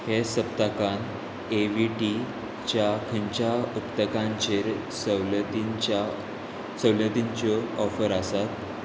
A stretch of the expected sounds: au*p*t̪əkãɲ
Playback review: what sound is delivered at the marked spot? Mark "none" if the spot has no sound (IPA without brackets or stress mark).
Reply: p